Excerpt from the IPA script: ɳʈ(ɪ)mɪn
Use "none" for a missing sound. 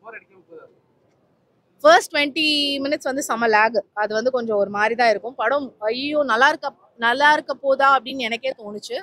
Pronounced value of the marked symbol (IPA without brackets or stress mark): i